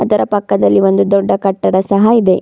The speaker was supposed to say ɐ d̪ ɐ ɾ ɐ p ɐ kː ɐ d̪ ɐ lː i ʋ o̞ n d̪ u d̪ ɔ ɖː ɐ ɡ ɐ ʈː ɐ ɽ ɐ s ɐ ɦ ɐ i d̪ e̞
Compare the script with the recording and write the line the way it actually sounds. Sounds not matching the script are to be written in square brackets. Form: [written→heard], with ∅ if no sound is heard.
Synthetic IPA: ɐ d̪ ɐ ɾ ɐ p ɐ kː ɐ d̪ ɐ lː i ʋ o̞ n d̪ u d̪ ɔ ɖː ɐ [ɡ→k] ɐ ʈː ɐ ɽ ɐ s ɐ ɦ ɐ i d̪ e̞